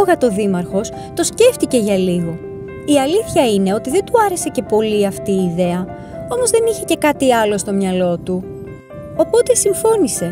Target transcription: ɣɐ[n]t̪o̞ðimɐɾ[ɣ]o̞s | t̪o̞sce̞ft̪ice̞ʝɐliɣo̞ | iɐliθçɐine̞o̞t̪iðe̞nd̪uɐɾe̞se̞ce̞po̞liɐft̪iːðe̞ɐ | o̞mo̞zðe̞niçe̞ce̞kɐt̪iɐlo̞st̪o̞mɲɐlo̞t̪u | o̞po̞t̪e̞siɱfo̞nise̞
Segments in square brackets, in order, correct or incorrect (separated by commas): incorrect, incorrect